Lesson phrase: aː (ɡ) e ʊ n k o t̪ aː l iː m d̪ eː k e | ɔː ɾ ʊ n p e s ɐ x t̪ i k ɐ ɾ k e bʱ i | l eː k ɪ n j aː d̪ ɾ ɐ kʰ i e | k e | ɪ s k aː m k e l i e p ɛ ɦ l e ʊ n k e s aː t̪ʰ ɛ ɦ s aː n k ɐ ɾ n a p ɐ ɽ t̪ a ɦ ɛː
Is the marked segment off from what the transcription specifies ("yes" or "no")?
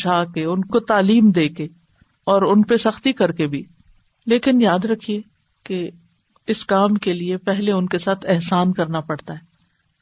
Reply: yes